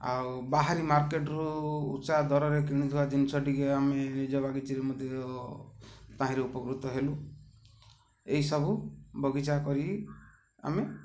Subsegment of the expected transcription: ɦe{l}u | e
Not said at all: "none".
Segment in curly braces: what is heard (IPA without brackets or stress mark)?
l